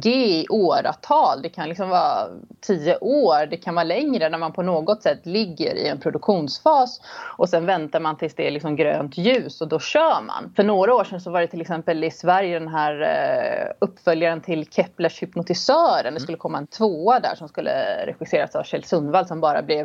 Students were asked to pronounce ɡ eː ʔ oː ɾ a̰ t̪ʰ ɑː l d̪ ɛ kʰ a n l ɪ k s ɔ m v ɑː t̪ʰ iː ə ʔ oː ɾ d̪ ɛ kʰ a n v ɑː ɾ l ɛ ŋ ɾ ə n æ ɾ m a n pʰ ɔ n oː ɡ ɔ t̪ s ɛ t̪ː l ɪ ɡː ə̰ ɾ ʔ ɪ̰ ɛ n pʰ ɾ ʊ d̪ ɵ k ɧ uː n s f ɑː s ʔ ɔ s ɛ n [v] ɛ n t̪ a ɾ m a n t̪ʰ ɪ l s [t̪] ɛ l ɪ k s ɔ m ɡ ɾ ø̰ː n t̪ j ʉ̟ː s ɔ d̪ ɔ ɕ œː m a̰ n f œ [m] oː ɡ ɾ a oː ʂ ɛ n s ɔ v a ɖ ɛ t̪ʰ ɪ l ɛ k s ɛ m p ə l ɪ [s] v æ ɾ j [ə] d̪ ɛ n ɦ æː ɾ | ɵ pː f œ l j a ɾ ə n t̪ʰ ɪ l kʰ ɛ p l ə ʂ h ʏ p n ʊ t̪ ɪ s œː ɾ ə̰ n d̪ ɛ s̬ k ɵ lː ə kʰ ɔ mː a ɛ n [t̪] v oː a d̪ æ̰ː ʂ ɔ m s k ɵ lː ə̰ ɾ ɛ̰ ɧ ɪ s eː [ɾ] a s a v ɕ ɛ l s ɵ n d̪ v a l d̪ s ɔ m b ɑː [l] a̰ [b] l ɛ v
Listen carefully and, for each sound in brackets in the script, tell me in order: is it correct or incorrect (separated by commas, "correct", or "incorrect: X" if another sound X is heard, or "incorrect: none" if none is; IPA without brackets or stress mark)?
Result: correct, incorrect: d̪, incorrect: ɳ, correct, correct, incorrect: t̪ʰ, correct, incorrect: ɾ, correct